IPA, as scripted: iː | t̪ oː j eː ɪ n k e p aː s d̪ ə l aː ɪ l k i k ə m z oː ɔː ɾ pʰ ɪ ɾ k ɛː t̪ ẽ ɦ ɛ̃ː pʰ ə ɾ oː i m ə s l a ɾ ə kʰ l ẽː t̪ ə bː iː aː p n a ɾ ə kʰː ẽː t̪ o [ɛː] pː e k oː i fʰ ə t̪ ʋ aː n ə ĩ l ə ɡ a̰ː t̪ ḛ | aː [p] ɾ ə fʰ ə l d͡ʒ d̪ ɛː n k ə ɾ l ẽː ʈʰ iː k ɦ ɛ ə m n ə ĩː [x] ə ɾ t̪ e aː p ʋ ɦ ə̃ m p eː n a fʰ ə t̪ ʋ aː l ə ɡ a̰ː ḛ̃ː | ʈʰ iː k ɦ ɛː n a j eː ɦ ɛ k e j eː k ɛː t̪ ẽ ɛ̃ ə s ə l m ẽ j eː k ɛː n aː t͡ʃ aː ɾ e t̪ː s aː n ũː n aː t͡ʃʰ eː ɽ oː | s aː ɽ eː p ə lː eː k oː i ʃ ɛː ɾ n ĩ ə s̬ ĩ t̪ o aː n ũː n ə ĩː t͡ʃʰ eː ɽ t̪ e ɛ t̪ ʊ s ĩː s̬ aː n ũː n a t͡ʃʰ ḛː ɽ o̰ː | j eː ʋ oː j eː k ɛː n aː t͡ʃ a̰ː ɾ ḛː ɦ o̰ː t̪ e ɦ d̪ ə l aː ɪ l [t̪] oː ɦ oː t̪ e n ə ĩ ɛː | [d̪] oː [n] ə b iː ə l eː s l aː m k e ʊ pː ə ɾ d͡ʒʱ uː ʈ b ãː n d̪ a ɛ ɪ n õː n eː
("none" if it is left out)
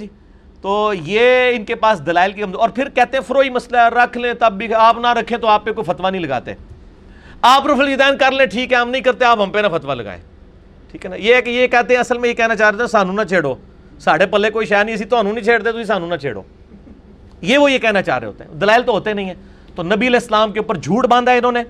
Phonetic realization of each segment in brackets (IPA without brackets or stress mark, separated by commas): aː, p, k, t̪, t̪, n